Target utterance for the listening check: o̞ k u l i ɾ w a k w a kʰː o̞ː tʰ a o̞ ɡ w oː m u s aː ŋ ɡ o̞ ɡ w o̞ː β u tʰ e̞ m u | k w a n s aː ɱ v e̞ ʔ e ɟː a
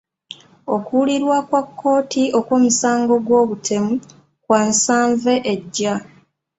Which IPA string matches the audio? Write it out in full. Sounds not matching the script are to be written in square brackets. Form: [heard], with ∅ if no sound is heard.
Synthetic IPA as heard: o̞ k u l i ɾ w a k w a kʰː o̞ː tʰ [i] o̞ [k] w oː m u s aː ŋ ɡ o̞ ɡ w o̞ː β u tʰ e̞ m u | k w a n s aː ɱ v e̞ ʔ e ɟː a